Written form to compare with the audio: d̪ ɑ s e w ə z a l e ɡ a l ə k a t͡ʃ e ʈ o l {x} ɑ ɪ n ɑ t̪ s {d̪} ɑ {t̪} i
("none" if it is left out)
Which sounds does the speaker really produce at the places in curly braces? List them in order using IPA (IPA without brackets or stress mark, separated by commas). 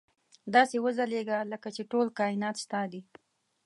k, t̪, d̪